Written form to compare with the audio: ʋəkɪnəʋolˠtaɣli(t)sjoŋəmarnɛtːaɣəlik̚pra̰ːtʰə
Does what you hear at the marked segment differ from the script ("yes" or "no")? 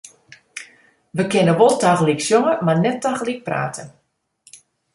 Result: yes